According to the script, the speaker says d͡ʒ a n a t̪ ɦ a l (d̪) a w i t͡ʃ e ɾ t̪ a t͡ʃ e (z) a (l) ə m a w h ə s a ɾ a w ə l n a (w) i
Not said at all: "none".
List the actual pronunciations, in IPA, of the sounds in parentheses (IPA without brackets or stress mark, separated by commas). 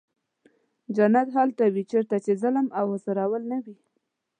t̪, z, l, w